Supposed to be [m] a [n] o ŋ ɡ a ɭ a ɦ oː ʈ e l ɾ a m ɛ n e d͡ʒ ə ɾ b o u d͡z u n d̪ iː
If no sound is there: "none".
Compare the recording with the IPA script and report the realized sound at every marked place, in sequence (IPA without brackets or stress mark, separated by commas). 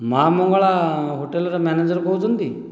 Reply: m, m